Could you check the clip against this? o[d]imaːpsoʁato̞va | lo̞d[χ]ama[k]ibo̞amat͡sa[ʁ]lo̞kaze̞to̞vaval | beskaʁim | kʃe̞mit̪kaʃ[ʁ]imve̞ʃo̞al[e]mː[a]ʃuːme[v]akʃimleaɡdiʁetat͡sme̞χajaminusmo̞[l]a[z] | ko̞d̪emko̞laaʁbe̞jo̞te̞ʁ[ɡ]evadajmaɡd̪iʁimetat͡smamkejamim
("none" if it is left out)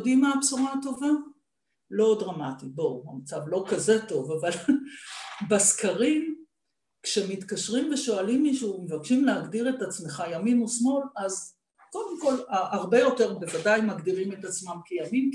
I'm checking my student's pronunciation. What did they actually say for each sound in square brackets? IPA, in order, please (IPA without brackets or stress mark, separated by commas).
d, ʁ, t, v, ʁ, i, i, v, l, z, b